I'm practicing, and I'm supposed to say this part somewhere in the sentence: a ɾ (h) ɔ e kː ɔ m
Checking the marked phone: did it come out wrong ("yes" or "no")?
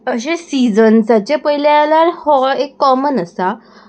no